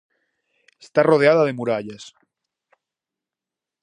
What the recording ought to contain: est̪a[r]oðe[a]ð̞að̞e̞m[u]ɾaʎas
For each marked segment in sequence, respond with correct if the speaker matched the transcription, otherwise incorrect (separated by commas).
correct, correct, correct